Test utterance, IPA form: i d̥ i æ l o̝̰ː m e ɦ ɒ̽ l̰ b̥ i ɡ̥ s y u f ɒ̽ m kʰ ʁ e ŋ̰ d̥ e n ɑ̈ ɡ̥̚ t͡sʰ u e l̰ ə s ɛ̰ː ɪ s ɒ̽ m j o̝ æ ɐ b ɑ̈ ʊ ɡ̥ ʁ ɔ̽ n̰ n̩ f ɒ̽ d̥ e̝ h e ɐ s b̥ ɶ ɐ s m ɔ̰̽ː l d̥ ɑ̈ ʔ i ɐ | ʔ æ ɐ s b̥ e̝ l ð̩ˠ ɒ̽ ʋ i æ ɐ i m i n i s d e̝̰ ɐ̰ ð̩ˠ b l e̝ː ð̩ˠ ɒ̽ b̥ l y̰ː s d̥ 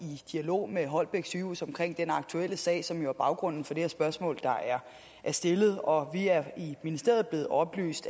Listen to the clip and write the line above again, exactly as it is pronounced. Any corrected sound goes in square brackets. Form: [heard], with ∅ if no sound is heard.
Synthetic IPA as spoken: i d̥ i æ l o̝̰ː m e ɦ ɒ̽ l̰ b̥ [e] ɡ̥ s y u [s] ɒ̽ m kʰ ʁ e ŋ̰ d̥ e n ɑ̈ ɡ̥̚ t͡sʰ u e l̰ ə s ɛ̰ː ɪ s ɒ̽ m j o̝ æ ɐ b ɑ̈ ʊ ɡ̥ ʁ ɔ̽ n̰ n̩ f ɒ̽ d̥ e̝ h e ɐ s b̥ ɶ ɐ s m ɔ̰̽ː l d̥ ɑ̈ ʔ [æ] ɐ | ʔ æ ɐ s [d̥] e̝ l ð̩ˠ ɒ̽ ʋ i æ ɐ i m i n i s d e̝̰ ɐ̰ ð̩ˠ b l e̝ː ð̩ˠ ɒ̽ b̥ l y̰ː s d̥